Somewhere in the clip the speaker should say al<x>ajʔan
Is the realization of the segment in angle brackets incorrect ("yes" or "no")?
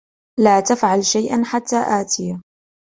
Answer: yes